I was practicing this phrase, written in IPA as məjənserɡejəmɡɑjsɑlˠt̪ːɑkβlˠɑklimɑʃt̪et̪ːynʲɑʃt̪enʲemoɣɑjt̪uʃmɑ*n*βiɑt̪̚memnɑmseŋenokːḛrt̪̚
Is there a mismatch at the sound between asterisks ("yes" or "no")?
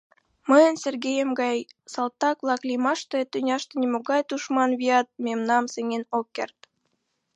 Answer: no